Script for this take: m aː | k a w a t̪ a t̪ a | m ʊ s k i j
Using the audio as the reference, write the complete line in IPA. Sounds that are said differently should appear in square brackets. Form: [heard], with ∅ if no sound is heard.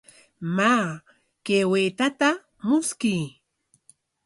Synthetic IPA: m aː | k [e] w [e] t̪ a t̪ a | m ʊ s k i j